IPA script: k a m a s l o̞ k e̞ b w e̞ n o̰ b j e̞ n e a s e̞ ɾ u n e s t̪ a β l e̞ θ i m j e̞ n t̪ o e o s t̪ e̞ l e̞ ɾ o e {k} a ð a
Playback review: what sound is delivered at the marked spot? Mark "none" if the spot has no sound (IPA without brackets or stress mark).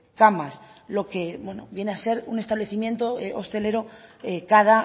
k